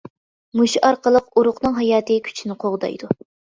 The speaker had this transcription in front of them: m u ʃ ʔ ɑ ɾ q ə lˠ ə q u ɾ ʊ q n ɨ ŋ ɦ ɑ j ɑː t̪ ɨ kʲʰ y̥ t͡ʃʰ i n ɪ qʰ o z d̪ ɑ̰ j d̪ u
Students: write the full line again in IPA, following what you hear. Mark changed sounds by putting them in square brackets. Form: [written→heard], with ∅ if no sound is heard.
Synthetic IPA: m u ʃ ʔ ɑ ɾ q ə lˠ ə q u ɾ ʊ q n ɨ ŋ ɦ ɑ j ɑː t̪ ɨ kʲʰ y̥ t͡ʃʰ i n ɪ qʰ o [z→ʁ] d̪ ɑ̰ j d̪ u